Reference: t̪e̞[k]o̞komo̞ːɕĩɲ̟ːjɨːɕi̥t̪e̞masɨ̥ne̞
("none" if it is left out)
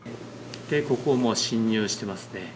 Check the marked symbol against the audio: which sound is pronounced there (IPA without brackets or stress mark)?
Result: k